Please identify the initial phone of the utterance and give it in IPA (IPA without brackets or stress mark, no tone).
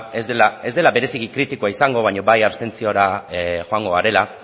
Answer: e